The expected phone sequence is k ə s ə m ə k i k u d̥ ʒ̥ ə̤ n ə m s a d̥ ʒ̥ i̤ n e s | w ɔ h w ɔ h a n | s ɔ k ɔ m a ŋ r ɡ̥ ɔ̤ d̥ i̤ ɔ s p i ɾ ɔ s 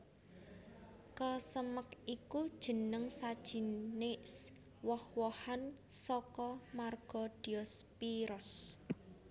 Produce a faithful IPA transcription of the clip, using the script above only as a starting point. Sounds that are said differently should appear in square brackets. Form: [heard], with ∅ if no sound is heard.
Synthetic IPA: k ə s ə m ə k i k u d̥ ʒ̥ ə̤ n ə [ŋ] s a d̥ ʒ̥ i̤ n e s | w ɔ h w ɔ h a n | s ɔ k ɔ m a [∅] r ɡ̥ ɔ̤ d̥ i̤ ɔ s p i ɾ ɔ s